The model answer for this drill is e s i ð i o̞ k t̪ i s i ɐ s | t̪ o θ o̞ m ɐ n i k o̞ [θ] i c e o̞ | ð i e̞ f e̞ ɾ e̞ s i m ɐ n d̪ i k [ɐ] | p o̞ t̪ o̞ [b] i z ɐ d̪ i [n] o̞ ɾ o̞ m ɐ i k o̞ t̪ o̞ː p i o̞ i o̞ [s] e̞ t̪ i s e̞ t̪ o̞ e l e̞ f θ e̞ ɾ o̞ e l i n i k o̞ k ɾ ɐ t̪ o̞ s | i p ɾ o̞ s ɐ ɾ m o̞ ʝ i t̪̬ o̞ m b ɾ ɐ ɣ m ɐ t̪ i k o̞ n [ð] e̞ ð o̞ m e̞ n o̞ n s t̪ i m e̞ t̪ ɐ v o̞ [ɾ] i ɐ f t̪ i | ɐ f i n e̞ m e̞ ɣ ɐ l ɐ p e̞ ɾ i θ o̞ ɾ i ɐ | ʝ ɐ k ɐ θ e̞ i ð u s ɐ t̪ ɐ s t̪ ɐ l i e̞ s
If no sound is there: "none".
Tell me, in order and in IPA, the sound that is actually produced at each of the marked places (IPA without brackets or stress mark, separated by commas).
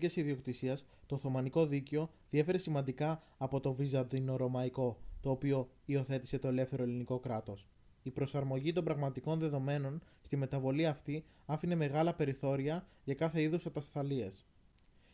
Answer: ð, ɐː, v, n, θ, ð, l